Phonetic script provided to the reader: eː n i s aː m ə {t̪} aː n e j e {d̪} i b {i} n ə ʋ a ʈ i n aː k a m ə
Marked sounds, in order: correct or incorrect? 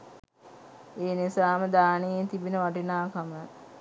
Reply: incorrect, incorrect, correct

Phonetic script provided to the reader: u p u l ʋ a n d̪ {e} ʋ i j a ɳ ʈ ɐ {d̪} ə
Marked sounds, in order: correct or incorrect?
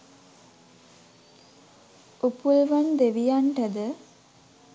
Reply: correct, correct

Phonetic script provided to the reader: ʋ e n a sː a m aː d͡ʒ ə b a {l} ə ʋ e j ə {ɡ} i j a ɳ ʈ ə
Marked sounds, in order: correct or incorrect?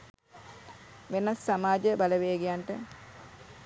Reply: correct, correct

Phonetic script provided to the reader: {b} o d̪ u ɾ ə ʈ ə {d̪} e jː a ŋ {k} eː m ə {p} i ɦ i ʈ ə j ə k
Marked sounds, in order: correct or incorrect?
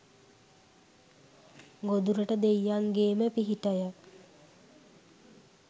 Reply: incorrect, correct, incorrect, correct

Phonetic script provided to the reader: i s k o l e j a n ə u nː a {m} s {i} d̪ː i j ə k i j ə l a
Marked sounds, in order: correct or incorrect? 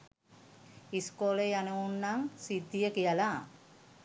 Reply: incorrect, correct

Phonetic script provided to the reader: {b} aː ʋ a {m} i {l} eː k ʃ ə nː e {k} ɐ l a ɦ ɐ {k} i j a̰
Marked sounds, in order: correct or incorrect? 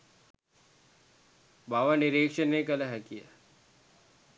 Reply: correct, incorrect, incorrect, correct, correct

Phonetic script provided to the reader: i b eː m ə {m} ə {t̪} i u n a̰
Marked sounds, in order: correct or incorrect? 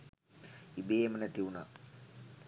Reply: incorrect, correct

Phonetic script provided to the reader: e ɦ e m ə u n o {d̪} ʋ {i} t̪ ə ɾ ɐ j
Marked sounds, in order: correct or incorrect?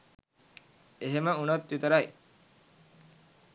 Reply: incorrect, correct

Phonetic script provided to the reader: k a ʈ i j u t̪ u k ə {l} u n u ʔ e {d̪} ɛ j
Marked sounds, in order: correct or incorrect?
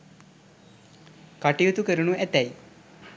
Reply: incorrect, incorrect

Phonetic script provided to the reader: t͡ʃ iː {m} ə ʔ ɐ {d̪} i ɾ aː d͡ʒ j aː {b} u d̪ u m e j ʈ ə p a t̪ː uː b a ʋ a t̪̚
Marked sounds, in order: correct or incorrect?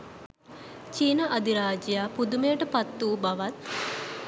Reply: incorrect, correct, incorrect

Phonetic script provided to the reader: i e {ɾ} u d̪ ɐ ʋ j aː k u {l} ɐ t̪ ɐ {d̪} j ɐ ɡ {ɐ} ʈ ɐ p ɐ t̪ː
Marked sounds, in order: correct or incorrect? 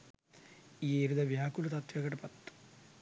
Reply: correct, correct, incorrect, correct

